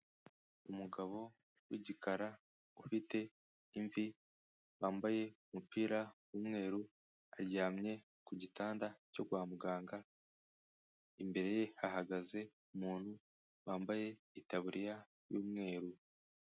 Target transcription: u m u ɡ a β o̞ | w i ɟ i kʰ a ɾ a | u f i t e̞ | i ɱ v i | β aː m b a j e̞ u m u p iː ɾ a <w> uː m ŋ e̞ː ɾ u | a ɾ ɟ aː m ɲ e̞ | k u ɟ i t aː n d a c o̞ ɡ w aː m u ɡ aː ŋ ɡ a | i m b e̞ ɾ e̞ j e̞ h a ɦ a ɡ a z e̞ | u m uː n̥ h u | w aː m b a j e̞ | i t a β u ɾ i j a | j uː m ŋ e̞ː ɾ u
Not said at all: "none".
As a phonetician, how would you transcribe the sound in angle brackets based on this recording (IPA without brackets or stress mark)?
w